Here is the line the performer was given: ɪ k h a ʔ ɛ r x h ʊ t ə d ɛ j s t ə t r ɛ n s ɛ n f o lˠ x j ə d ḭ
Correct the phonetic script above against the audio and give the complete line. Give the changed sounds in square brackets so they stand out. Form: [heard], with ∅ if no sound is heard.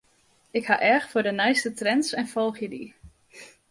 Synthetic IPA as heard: ɪ k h a ʔ ɛ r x [f] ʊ [d] ə [n] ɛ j s t ə t r ɛ n s ɛ n f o lˠ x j ə d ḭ